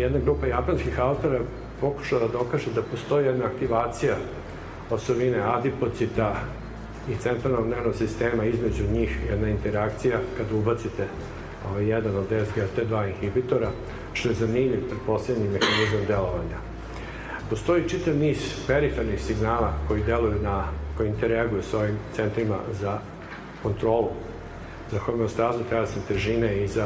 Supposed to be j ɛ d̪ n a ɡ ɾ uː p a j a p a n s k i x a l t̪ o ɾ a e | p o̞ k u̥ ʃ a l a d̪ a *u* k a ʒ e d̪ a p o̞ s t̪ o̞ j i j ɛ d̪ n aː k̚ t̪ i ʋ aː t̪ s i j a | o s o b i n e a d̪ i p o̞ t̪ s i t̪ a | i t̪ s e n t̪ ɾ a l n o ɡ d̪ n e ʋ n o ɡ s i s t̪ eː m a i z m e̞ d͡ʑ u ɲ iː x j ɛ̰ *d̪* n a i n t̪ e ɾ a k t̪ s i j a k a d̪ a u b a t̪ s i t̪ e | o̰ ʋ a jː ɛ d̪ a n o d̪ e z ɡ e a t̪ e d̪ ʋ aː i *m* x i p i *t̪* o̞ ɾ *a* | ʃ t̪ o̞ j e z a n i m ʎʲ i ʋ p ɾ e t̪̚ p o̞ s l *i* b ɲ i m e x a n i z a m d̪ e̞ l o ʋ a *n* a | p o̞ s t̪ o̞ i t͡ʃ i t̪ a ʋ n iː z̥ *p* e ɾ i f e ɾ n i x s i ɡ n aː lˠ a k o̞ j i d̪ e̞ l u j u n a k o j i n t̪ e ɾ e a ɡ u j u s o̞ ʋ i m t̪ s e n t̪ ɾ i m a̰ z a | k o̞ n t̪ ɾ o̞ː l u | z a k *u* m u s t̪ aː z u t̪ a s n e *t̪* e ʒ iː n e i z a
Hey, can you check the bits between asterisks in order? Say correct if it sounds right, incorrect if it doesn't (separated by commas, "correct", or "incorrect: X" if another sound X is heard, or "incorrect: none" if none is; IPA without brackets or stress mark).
incorrect: o, correct, incorrect: n, correct, correct, incorrect: e, incorrect: ɲ, correct, incorrect: o, correct